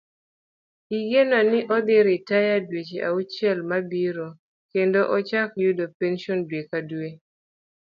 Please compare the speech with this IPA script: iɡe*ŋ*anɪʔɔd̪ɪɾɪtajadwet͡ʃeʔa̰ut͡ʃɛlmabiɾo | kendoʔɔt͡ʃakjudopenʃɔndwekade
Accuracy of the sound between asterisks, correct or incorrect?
incorrect